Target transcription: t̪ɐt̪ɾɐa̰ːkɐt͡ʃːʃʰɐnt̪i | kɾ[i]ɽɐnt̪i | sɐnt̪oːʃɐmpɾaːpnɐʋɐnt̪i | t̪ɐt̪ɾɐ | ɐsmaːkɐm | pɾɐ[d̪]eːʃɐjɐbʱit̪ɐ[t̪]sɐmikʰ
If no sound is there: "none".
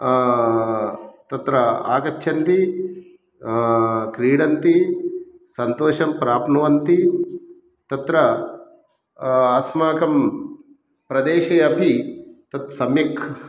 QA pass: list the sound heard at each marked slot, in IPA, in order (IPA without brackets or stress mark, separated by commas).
iː, d̪, t̪